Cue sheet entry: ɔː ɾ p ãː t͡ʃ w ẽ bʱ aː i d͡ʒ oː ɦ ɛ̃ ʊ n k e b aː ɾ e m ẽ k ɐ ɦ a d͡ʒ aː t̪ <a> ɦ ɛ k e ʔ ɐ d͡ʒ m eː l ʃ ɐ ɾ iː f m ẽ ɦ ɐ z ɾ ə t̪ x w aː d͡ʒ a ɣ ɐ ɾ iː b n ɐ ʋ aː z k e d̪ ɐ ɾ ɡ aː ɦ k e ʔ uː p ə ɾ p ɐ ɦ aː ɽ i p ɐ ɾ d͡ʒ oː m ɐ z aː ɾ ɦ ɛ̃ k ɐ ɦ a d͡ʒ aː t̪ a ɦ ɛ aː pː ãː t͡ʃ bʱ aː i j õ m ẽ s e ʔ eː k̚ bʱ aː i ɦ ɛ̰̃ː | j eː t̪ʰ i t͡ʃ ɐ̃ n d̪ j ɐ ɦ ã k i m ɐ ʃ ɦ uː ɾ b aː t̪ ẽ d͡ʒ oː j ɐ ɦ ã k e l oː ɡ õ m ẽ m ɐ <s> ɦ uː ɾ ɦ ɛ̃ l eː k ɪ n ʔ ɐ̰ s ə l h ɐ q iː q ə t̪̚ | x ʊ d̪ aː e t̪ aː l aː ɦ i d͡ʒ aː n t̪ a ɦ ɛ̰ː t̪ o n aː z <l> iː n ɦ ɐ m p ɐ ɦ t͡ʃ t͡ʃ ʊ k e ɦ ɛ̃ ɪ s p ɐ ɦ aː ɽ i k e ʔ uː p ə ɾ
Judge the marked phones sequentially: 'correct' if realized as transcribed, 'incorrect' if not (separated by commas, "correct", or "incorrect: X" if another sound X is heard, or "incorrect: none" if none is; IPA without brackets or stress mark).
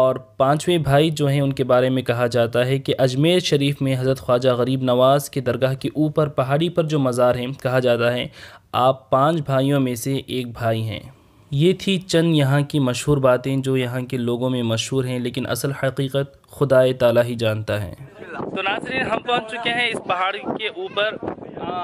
correct, incorrect: ʃ, incorrect: ɾ